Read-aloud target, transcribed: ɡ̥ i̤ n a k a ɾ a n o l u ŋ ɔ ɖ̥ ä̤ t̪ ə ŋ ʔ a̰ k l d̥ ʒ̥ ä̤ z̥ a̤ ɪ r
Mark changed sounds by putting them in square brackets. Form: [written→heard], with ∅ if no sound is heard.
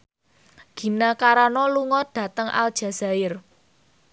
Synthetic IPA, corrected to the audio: ɡ̥ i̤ n a k a ɾ a n [o→ɔ] l u ŋ ɔ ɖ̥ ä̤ t̪ ə ŋ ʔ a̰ [k→∅] l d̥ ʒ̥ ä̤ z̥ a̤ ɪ r